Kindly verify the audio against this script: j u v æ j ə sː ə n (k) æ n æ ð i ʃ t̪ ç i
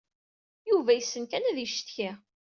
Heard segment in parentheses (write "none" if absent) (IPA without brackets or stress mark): k